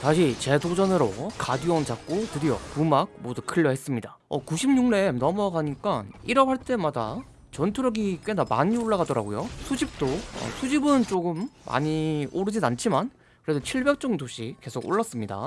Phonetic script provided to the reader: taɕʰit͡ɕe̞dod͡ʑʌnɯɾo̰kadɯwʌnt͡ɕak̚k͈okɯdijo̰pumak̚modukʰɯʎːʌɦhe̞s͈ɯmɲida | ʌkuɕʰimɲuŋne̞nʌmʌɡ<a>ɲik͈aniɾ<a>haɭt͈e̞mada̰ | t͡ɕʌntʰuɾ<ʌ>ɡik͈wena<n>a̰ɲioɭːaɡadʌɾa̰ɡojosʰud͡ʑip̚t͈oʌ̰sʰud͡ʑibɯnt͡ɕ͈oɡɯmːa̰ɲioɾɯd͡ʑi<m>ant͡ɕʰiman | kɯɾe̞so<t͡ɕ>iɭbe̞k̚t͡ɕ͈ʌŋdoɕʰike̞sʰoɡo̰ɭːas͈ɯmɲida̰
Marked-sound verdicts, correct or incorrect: correct, incorrect, correct, incorrect, incorrect, incorrect

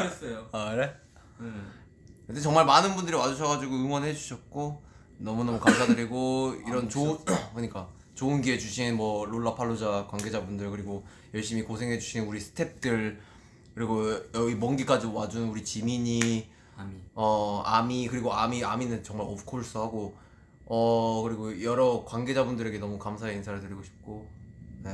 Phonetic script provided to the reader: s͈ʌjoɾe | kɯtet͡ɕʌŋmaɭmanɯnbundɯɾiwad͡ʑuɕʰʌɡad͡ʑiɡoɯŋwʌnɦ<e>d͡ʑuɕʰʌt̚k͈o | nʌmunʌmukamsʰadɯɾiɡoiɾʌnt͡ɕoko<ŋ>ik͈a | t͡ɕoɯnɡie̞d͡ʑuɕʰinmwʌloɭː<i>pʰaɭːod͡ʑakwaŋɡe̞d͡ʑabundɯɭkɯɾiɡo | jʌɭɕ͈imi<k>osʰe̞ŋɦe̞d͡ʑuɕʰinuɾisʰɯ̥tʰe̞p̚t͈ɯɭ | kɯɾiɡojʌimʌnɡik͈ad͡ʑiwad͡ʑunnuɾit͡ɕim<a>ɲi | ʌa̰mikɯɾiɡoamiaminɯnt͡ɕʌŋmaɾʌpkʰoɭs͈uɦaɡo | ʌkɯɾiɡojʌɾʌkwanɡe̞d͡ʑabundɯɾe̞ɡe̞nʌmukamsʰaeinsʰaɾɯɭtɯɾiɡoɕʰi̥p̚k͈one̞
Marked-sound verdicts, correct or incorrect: correct, incorrect, incorrect, correct, incorrect

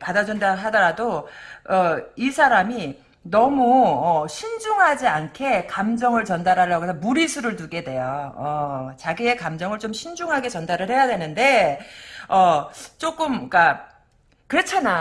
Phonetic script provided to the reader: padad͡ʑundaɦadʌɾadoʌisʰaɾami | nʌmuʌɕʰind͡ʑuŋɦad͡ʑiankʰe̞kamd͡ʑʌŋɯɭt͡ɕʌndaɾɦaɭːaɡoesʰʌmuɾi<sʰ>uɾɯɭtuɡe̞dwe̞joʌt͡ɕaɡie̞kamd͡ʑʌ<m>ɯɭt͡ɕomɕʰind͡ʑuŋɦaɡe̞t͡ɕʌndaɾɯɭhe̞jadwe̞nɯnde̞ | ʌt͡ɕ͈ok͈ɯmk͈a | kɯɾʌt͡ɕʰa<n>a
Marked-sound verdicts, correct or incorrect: correct, incorrect, correct

